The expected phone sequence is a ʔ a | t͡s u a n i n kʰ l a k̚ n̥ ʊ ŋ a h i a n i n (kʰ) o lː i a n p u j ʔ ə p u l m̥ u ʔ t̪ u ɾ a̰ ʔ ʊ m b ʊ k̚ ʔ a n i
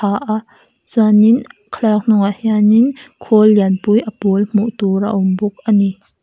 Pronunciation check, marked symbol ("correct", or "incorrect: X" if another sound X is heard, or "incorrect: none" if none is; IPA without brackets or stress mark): correct